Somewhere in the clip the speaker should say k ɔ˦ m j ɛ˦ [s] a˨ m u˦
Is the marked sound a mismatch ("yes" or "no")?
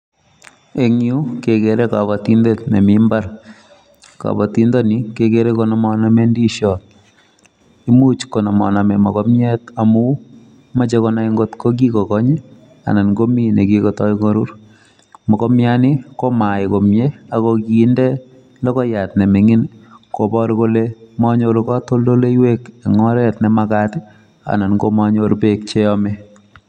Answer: yes